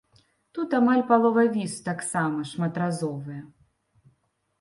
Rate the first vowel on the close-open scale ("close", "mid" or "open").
close